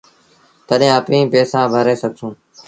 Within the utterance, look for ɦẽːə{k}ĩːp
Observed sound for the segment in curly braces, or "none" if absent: p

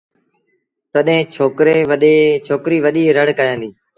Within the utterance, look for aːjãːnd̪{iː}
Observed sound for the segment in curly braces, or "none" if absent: iː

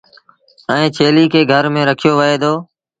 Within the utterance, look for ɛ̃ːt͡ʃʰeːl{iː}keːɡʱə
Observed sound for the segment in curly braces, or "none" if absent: iː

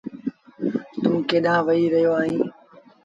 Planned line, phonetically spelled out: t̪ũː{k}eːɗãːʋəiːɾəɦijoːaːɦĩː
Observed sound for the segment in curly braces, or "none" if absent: k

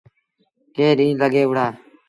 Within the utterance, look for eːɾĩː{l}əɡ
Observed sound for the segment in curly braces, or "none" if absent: l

